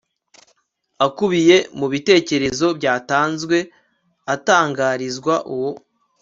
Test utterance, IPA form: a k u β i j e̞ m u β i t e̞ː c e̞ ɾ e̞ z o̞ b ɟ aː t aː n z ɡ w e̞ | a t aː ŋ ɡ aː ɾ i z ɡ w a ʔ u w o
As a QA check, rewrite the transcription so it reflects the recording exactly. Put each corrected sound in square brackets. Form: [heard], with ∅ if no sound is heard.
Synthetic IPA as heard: a k u β i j e̞ m u β i t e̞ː c e̞ ɾ e̞ z o̞ b ɟ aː t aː n z ɡ w e̞ | a t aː ŋ ɡ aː ɾ i z ɡ w a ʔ u w o